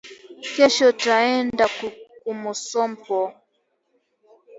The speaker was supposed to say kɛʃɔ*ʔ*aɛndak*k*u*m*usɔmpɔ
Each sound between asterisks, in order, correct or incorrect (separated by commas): incorrect, correct, correct